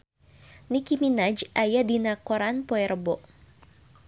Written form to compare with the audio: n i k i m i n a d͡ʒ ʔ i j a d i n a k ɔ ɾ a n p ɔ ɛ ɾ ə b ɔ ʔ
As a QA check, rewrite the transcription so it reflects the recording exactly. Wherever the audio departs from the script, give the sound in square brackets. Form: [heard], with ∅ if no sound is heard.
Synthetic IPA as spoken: n i k i m i n a d͡ʒ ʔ [a] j a d i n a k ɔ ɾ a n p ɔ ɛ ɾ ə b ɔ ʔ